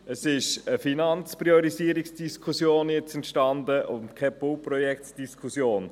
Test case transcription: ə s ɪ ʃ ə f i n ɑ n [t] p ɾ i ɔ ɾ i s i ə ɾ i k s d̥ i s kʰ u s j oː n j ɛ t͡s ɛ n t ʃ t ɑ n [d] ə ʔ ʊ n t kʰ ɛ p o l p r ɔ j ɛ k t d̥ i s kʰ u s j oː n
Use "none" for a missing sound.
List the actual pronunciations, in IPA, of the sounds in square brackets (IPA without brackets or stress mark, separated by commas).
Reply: t͡s, d